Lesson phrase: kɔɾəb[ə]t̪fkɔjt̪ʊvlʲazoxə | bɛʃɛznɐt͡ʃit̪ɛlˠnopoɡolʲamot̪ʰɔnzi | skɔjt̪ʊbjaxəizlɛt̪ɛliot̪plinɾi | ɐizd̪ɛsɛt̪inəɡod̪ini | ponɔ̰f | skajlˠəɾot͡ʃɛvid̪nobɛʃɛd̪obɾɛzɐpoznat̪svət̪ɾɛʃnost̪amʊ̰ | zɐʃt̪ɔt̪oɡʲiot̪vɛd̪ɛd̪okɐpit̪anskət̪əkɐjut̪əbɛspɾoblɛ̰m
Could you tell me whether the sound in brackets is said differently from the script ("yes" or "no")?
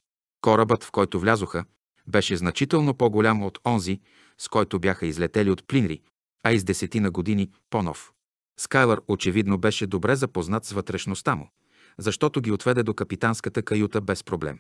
no